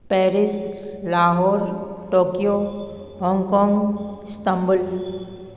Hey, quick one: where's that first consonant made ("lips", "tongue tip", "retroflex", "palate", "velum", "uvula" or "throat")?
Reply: lips